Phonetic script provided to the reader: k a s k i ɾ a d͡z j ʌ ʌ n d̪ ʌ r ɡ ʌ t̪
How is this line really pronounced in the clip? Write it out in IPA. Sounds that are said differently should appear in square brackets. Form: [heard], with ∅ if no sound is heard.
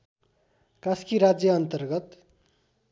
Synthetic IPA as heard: k a s k i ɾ a d͡z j ʌ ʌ n [t̪] ʌ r ɡ ʌ t̪